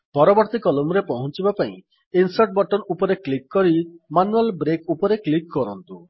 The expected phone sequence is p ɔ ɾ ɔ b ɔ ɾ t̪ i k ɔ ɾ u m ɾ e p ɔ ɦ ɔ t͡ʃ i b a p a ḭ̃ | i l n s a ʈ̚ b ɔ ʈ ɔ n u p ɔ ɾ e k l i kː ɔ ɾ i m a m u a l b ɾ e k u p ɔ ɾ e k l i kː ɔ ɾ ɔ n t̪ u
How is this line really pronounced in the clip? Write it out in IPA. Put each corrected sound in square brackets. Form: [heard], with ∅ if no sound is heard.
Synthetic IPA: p ɔ ɾ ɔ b ɔ ɾ t̪ i k ɔ [l] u m ɾ e p ɔ ɦ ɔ t͡ʃ i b a p a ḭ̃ | i [∅] n s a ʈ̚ b ɔ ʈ ɔ n u p ɔ ɾ e k l i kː ɔ ɾ i m a [n] u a l b ɾ e k u p ɔ ɾ e k l i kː ɔ ɾ ɔ n t̪ u